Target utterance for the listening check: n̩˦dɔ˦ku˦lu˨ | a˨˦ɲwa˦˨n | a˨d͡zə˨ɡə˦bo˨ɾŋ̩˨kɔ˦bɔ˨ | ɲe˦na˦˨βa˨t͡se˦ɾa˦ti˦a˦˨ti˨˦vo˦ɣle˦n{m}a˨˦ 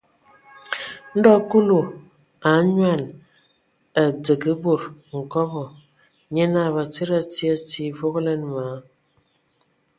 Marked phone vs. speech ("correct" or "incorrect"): correct